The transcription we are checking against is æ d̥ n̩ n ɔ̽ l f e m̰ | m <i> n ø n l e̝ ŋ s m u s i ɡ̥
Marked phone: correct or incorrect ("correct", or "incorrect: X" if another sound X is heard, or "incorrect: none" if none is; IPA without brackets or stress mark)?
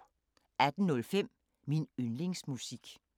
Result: correct